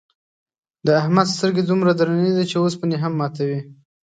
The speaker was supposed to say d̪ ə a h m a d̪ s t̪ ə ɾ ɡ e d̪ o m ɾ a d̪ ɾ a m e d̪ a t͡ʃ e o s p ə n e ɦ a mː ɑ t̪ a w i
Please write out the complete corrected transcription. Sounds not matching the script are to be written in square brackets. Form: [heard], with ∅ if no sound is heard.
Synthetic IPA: d̪ ə a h m a d̪ s t̪ ə ɾ ɡ e d̪ [u] m ɾ a d̪ ɾ a [n] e d̪ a t͡ʃ e o s p ə n e ɦ a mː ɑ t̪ a w i